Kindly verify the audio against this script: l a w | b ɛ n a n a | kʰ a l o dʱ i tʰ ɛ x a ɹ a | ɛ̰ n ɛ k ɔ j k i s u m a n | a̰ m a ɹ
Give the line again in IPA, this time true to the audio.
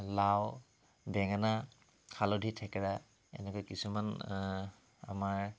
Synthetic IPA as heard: l a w | b ɛ ŋ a n a | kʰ a l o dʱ i tʰ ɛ k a ɹ a | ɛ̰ n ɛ k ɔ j k i s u m a n | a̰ m a ɹ